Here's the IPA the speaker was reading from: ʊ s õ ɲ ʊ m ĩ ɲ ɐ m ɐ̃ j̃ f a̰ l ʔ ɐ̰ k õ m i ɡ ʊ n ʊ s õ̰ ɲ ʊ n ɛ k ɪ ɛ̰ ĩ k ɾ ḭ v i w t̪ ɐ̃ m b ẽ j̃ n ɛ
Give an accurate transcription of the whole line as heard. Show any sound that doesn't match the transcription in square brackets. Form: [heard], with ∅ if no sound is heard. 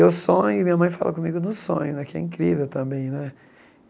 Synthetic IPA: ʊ s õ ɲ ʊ m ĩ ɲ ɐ m ɐ̃ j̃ f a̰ l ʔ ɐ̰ k õ m i ɡ ʊ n ʊ s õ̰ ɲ ʊ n ɛ k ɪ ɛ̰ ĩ k ɾ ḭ v [e] w t̪ ɐ̃ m b ẽ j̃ n ɛ